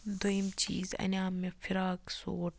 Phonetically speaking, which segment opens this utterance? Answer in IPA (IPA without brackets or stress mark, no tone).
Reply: d̪